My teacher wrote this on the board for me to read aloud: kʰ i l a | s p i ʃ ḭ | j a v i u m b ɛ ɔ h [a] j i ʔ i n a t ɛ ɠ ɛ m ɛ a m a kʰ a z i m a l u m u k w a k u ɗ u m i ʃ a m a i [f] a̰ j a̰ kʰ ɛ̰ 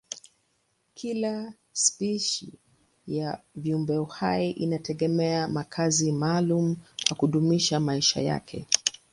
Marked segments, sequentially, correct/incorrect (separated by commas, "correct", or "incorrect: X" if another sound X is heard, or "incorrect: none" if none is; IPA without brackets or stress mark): correct, incorrect: ʃ